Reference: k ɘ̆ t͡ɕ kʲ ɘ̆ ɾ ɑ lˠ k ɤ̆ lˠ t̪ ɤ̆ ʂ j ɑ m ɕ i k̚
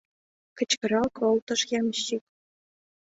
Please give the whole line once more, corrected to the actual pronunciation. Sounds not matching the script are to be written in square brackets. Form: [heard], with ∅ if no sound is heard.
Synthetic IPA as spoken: k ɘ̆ t͡ɕ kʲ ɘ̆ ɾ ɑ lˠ k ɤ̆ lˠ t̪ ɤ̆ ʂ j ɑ m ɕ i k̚